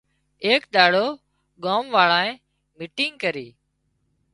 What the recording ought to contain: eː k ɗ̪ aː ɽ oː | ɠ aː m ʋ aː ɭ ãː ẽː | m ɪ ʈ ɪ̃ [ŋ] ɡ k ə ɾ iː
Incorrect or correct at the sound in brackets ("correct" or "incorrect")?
correct